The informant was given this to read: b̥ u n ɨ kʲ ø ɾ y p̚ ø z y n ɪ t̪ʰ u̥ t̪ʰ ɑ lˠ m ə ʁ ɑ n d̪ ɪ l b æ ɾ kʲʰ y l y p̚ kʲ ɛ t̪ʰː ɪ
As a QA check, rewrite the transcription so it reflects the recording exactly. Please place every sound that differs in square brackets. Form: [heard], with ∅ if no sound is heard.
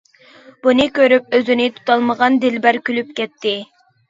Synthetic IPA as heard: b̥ u n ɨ kʲ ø ɾ y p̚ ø z y n ɪ t̪ʰ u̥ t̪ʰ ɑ lˠ m ə ʁ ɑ n d̪ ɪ l b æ ɾ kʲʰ y l y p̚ kʲ ɛ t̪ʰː ɪ